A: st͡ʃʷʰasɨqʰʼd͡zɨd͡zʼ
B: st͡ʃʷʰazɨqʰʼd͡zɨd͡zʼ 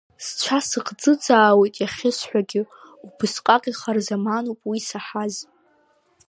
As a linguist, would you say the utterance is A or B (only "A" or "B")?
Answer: A